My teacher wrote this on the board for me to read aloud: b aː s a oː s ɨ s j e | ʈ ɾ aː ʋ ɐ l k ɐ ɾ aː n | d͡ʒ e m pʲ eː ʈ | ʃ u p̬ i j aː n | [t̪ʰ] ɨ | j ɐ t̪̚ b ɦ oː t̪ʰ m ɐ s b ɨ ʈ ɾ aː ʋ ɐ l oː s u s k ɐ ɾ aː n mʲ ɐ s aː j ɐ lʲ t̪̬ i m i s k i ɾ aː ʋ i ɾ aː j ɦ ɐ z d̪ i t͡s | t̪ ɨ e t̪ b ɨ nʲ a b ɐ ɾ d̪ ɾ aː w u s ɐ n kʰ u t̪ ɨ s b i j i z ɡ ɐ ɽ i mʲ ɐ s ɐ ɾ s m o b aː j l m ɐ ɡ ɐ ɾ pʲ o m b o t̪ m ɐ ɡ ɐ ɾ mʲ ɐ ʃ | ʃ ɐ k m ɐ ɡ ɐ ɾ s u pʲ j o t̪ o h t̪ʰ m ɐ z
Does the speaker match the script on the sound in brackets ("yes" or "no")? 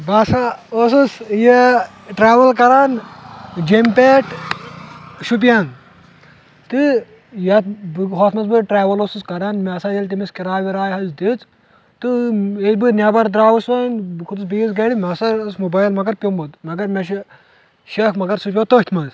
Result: no